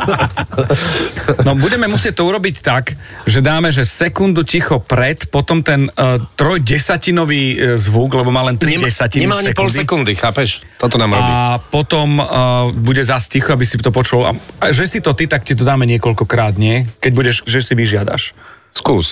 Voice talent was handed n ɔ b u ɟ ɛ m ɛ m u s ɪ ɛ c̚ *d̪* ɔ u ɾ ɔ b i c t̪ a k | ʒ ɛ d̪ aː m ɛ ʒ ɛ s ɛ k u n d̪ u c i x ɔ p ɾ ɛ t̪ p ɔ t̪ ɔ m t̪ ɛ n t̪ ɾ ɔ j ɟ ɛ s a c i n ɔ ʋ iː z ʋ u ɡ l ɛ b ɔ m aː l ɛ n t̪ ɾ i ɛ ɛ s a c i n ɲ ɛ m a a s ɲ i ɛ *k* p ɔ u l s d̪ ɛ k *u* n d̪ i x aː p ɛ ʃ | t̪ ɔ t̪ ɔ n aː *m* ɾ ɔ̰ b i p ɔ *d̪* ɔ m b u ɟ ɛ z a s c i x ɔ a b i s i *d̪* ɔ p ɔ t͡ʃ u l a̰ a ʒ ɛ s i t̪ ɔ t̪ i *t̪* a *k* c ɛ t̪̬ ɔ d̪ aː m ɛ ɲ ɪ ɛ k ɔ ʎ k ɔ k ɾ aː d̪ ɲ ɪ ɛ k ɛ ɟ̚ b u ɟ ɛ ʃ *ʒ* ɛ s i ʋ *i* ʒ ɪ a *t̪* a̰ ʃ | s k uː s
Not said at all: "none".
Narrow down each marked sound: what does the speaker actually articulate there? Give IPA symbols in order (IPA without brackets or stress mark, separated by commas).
t̪, k, u, m, t̪, t̪, t̪, k, ʒ, i, d̪